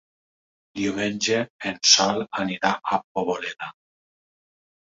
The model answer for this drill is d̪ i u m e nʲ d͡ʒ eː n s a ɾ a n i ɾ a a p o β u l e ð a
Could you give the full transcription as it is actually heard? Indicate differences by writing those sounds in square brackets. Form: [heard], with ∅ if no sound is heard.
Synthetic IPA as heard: d̪ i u m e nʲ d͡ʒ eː n s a [l] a n i ɾ a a p o β [o] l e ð a

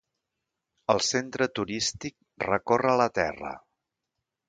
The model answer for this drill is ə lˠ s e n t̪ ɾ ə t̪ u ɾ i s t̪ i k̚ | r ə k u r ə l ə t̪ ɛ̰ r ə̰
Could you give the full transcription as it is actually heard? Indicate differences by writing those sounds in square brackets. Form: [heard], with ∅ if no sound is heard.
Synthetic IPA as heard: ə lˠ s e n t̪ ɾ ə t̪ u ɾ i s t̪ i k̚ | r ə k [o] r ə l ə t̪ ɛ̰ r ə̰

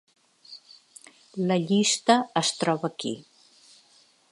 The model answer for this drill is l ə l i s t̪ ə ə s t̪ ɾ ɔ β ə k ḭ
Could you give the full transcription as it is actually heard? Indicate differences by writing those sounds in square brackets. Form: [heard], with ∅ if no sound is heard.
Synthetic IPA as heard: l ə [ʎ] i s t̪ ə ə s t̪ ɾ ɔ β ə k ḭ

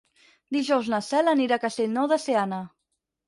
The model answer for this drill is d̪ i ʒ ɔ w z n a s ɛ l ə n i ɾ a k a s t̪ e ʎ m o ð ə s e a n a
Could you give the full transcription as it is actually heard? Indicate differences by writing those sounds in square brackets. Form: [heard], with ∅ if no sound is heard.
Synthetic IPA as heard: d̪ i ʒ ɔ w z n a s ɛ l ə n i ɾ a k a s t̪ e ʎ [n] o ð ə s e a n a

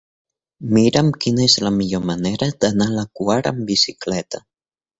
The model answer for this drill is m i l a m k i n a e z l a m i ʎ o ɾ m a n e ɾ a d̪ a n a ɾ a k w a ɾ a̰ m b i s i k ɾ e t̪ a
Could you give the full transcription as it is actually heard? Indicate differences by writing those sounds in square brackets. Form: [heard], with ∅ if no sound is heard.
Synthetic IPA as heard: m i [ɾ] a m k i n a e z l a m i ʎ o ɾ m a n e ɾ a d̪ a n a [l] a k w a ɾ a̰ m b i s i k [l] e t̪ a

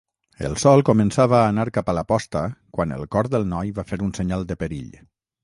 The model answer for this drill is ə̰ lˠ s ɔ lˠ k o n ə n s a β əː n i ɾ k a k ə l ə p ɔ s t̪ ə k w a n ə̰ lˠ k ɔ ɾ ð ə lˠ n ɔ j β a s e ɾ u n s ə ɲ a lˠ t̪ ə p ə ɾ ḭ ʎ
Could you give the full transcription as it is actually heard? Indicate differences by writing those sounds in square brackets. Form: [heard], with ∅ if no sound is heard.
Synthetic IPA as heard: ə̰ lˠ s ɔ lˠ k o [m] ə n s a β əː n [a] ɾ k a [p] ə l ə p ɔ s t̪ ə k w a n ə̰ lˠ k ɔ ɾ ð ə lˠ n ɔ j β a [f] e ɾ u n s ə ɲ a lˠ [d̪] ə p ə ɾ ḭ ʎ

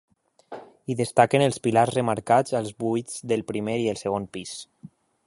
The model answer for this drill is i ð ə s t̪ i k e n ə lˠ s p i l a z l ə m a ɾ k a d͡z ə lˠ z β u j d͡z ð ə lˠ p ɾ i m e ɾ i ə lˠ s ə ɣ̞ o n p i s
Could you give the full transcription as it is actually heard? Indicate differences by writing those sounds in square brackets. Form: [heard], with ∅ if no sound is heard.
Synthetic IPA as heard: i ð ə s t̪ [a] k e n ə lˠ s p i l a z [r] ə m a ɾ k a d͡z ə lˠ z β u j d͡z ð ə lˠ p ɾ i m e ɾ i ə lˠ s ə ɣ̞ o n p i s

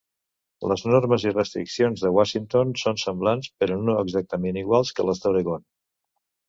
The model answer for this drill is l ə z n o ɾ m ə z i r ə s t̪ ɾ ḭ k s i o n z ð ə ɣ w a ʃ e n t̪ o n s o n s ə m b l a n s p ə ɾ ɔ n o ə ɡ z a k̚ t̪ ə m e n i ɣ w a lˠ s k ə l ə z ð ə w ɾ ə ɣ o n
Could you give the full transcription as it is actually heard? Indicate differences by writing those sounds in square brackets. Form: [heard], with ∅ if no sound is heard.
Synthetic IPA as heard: l ə z n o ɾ m ə z i r ə s t̪ ɾ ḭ k s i o n z ð ə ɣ w a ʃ [i] n t̪ o n s o n s ə m b l a n s p ə ɾ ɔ n o ə ɡ z a k̚ t̪ ə m e n i ɣ w a lˠ s k ə l ə z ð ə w ɾ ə ɣ o n

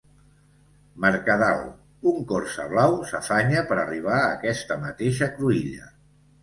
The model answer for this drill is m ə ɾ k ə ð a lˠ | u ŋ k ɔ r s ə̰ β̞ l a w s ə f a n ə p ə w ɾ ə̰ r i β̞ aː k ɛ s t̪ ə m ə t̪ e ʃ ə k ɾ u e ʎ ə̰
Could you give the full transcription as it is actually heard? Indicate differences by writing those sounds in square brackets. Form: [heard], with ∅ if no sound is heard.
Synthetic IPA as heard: m ə ɾ k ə ð a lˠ | u ŋ k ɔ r s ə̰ β̞ l a w s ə f a [ɲ] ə p ə [∅] ɾ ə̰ r i β̞ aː k ɛ s t̪ ə m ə t̪ e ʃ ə k ɾ u [i] ʎ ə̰

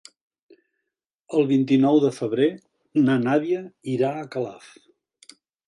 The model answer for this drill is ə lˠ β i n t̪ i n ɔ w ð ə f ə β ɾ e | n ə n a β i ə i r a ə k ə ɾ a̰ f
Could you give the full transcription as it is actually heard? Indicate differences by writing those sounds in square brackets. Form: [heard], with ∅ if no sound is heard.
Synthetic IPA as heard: ə lˠ β i n t̪ i n ɔ w ð ə f ə β ɾ e | n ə n a β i ə i [ɾ] a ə k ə [l] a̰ f

